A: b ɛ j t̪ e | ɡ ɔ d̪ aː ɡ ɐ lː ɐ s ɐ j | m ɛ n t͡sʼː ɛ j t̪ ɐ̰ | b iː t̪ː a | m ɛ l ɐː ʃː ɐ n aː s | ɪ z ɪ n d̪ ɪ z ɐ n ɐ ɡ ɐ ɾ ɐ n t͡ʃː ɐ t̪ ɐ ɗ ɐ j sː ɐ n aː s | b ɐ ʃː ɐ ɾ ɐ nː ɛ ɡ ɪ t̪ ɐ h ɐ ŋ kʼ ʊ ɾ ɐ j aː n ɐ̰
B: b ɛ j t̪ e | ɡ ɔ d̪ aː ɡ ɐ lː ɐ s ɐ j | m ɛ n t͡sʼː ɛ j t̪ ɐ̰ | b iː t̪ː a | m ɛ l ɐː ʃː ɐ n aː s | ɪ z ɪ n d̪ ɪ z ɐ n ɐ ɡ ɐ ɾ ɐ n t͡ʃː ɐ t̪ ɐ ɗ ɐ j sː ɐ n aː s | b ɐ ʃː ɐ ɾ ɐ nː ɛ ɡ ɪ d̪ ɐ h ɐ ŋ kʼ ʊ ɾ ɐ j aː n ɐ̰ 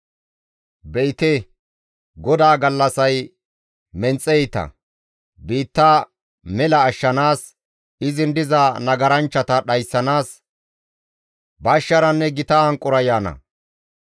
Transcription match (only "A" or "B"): A